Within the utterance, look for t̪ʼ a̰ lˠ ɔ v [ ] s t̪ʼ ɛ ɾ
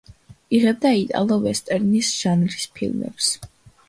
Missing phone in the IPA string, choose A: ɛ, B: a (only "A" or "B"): A